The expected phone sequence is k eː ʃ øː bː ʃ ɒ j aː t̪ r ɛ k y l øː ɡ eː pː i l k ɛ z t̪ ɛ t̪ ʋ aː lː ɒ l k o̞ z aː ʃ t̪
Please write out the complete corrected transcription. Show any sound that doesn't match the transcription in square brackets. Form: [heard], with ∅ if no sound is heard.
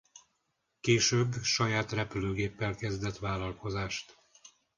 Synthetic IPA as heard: k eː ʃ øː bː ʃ ɒ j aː t̪ r ɛ [p] y l øː ɡ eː pː [ɛ] l k ɛ z [d̪] ɛ t̪ ʋ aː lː ɒ l k o̞ z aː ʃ t̪